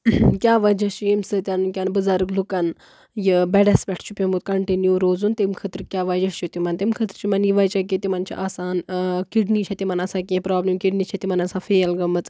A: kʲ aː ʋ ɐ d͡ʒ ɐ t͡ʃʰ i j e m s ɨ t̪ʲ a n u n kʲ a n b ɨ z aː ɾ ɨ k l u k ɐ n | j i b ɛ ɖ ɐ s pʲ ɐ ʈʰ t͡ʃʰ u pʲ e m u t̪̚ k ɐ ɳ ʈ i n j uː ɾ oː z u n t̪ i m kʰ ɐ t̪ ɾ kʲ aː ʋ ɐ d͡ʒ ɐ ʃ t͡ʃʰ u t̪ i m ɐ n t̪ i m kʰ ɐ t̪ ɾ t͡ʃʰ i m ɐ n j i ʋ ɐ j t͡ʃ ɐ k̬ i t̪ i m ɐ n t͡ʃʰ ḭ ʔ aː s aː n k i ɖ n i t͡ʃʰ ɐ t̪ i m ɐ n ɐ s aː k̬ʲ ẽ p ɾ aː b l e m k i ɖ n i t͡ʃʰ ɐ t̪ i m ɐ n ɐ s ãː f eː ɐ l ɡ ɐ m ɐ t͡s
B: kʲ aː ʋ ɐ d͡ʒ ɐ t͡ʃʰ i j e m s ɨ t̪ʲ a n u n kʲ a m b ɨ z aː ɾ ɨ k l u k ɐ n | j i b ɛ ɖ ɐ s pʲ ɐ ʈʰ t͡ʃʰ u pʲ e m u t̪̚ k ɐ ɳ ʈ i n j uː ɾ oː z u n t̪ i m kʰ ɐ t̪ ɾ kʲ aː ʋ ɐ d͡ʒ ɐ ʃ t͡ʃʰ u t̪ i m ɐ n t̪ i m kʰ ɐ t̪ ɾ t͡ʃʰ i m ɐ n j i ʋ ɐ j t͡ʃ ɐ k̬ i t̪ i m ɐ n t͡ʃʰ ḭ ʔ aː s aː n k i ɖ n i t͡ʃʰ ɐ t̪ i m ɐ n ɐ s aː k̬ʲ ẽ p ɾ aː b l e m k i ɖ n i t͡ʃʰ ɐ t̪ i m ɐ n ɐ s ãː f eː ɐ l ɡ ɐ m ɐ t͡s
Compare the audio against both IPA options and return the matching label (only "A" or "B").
A